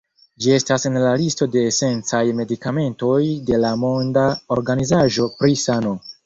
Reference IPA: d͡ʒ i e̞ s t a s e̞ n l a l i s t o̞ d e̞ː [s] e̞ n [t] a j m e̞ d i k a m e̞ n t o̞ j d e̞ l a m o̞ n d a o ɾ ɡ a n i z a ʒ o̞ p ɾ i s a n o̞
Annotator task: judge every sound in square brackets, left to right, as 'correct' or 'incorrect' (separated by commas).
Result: correct, incorrect